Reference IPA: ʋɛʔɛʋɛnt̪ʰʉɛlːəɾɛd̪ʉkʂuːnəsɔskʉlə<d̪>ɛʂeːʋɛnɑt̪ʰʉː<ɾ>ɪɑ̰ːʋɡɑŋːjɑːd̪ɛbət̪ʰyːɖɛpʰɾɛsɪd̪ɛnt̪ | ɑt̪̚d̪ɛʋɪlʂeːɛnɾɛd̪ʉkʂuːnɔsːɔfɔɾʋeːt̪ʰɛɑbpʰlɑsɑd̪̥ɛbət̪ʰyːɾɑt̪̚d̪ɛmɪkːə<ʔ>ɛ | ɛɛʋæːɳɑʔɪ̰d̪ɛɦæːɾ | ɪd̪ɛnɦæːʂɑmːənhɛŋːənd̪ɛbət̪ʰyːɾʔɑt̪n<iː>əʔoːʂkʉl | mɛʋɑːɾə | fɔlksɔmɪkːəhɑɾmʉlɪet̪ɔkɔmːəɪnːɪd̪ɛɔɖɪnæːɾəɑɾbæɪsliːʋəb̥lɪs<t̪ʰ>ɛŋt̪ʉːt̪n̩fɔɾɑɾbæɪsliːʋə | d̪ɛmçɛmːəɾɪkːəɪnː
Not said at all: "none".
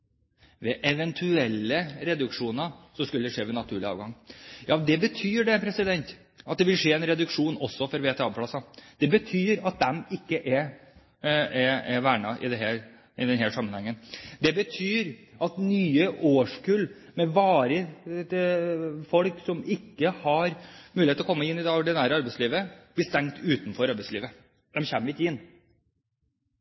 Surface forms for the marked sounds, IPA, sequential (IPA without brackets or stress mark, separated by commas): d̪, ɭ, ʔ, yː, t̪